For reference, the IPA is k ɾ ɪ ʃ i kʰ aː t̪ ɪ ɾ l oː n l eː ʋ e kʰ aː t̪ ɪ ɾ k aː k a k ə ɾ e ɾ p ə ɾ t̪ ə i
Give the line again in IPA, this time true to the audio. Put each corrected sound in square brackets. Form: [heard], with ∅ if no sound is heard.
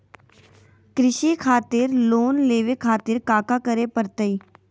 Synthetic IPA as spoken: k ɾ ɪ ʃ i kʰ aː t̪ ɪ ɾ l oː n l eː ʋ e kʰ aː t̪ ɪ ɾ k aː k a k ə ɾ e [∅] p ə ɾ t̪ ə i